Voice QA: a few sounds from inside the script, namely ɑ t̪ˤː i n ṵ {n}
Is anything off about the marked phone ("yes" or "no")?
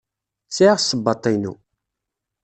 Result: yes